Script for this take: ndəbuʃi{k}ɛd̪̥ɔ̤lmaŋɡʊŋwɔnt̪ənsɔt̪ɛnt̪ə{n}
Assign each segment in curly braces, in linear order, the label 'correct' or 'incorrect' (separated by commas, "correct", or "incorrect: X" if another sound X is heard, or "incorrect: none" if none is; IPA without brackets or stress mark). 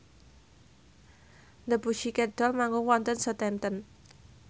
correct, correct